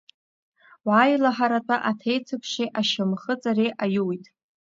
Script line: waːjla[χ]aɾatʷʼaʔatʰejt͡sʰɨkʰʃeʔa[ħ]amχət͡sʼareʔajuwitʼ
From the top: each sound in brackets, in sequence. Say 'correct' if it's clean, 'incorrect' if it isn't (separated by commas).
incorrect, incorrect